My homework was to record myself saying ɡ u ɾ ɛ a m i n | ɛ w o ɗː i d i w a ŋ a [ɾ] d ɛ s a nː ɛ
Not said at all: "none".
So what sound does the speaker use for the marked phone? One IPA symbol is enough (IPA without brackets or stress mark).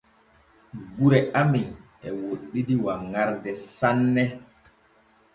ɾ